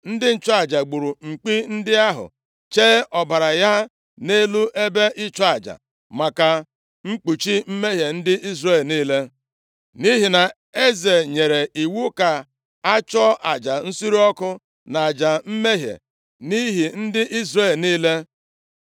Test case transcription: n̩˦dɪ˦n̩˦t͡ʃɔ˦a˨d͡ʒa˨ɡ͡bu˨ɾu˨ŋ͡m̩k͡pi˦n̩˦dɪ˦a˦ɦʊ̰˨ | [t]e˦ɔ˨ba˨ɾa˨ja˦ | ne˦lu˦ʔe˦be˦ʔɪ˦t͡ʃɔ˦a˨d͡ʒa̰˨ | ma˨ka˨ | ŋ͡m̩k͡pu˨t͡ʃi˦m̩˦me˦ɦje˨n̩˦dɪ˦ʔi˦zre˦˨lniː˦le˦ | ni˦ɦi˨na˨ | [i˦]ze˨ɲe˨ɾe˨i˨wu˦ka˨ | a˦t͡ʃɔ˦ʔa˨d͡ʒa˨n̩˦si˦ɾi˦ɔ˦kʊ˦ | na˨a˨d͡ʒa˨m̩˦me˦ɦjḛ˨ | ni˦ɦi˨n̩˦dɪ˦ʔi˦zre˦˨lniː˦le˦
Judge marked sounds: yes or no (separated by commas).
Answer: no, no